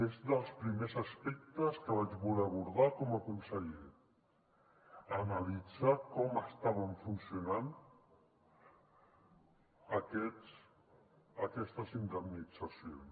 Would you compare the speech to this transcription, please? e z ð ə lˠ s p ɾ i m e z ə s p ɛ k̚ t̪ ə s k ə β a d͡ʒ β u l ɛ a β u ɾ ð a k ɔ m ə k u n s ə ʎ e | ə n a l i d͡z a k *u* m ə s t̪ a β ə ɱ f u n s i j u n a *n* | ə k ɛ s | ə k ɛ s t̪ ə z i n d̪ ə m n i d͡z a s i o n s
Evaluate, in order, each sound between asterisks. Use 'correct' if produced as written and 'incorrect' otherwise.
incorrect: ɔ, correct

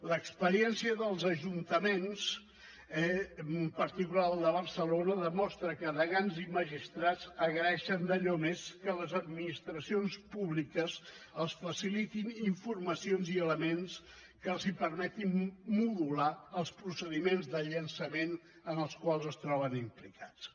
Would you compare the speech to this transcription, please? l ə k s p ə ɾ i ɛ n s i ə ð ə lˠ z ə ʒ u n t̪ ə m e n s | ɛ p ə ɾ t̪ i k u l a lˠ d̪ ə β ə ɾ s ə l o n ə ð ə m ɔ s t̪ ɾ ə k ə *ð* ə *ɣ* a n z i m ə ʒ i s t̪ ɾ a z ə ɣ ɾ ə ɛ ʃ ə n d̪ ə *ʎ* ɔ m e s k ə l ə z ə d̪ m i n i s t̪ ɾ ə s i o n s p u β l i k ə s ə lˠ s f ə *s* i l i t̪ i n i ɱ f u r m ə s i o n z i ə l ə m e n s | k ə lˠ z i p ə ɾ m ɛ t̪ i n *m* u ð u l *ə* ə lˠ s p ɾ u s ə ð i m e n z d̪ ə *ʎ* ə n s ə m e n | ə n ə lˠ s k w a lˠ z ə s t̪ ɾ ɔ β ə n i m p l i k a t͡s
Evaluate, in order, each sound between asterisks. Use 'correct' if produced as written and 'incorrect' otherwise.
correct, correct, correct, correct, correct, incorrect: a, correct

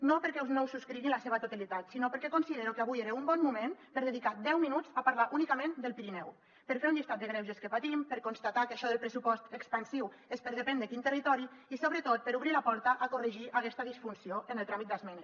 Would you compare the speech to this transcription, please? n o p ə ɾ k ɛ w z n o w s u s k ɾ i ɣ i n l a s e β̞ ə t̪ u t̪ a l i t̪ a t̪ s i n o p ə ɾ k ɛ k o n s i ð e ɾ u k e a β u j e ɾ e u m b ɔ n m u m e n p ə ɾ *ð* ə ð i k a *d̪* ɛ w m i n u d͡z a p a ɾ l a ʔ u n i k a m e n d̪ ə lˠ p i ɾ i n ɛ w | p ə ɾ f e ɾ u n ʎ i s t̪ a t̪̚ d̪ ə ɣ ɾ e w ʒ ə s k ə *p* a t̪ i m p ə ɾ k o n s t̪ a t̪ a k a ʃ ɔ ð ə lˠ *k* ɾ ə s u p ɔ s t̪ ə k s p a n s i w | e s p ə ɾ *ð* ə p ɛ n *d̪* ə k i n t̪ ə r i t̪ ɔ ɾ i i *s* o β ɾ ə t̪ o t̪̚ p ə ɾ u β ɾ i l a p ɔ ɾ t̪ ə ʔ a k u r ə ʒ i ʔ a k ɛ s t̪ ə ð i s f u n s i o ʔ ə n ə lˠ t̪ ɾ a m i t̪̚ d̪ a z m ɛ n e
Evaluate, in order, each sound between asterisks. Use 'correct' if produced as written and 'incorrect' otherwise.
correct, correct, correct, incorrect: p, correct, correct, correct

